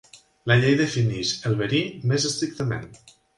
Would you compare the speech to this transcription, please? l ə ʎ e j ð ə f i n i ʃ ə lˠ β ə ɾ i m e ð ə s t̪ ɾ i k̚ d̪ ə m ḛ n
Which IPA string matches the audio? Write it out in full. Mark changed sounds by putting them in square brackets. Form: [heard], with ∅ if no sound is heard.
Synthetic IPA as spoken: l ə ʎ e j ð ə f i n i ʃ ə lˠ β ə ɾ i m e [z] ə s t̪ ɾ i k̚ [t̪] ə m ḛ n